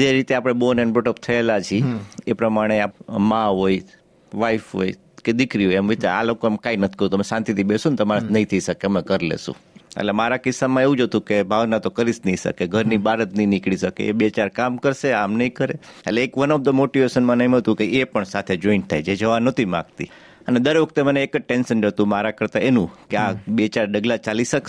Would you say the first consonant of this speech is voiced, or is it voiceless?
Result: voiced